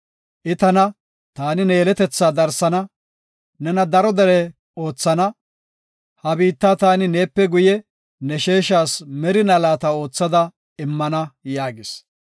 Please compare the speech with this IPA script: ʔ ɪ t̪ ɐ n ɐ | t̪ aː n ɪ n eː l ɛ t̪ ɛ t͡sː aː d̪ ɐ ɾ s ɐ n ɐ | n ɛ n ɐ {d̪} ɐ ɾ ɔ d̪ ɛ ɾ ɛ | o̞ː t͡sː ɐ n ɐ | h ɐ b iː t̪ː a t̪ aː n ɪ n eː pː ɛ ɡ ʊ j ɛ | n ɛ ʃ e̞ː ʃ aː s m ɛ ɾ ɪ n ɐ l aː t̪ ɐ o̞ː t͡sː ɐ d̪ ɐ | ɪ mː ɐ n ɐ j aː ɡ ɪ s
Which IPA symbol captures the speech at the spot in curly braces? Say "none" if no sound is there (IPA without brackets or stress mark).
d̪